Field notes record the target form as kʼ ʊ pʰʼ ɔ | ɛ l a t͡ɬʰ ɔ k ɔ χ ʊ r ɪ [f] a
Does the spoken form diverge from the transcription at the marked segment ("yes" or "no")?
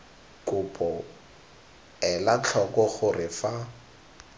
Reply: no